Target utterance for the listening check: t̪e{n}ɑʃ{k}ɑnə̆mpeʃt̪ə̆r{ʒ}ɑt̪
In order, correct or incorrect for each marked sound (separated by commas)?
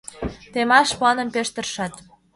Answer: incorrect, incorrect, incorrect